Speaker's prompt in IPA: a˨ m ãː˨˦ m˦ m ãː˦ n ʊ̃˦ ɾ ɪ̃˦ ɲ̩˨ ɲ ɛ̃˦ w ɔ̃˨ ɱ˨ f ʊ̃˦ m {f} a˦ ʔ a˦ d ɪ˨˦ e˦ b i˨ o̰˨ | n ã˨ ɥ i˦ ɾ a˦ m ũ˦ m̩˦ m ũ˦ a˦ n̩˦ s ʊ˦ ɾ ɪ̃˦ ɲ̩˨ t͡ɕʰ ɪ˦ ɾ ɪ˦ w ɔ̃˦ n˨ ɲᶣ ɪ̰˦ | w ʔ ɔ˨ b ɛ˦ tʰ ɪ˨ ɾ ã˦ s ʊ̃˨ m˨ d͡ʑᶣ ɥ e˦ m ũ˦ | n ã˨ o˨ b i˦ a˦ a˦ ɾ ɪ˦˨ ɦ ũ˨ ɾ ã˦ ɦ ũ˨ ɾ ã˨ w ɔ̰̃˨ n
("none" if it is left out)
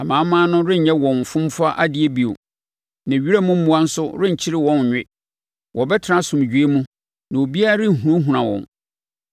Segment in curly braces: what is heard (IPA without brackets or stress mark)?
f